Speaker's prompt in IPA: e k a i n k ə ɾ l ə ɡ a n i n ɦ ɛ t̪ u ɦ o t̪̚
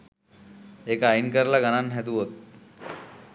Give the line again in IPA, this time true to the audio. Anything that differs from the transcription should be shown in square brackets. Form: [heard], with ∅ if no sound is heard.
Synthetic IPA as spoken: e k a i n k ə ɾ l [a] ɡ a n [a] n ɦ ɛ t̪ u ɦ o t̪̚